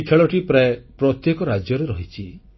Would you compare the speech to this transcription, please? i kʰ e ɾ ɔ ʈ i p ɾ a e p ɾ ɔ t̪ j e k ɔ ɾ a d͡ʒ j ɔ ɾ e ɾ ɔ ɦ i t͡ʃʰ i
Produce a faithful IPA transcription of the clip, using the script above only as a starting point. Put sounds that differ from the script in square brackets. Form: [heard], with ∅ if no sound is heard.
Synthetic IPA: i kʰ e [ɭ] ɔ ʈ i p ɾ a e p ɾ ɔ t̪ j e k ɔ ɾ a d͡ʒ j ɔ ɾ e ɾ ɔ ɦ i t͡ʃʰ i